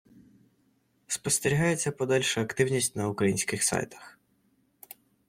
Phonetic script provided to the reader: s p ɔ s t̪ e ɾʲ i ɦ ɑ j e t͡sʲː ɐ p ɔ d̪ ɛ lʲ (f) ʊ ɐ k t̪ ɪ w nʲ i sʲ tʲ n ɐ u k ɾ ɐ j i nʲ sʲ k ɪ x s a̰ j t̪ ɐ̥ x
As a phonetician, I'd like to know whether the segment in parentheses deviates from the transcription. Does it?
yes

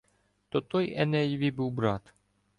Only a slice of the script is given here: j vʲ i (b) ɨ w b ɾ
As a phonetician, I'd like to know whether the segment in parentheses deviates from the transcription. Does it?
no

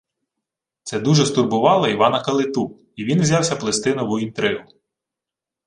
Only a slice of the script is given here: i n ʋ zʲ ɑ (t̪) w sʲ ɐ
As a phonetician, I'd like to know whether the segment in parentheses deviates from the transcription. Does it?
yes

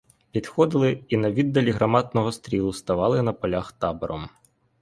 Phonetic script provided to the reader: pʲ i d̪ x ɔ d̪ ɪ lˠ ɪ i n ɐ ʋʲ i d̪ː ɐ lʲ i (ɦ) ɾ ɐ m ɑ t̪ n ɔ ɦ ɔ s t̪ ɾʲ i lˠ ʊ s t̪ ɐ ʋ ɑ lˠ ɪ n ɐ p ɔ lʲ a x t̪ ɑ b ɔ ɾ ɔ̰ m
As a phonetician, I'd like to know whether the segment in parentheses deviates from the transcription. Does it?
no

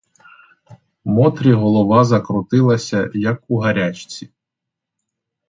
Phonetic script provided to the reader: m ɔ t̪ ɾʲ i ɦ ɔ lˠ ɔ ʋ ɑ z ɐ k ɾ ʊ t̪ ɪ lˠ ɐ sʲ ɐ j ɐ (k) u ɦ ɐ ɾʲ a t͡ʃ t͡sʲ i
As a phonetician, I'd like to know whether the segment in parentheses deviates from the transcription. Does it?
no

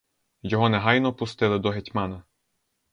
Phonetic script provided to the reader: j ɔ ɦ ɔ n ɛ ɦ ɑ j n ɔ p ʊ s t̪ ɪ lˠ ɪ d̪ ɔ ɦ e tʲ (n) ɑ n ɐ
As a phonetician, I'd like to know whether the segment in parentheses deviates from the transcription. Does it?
yes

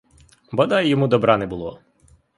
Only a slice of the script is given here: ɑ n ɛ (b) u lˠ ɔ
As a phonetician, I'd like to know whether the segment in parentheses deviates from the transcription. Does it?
no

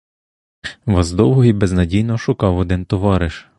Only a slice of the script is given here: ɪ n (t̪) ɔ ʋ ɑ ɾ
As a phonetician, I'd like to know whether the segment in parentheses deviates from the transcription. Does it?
no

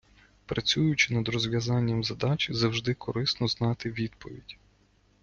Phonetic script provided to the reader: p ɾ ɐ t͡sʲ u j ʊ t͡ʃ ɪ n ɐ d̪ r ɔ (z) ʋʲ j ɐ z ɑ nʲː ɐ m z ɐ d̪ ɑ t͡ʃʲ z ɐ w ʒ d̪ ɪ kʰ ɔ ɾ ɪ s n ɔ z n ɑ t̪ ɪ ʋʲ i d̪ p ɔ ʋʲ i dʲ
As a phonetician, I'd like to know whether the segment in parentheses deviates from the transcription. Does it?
no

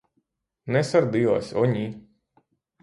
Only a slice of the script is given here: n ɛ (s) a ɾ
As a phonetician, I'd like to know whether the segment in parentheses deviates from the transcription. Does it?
no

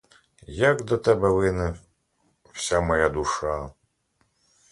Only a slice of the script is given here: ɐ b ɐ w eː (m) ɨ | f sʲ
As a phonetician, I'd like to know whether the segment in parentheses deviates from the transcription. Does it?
yes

